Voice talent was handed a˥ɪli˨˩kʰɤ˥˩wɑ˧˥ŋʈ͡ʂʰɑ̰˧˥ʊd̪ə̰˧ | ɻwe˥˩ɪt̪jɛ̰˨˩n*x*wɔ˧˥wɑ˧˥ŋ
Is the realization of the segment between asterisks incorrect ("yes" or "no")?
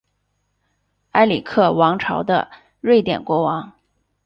yes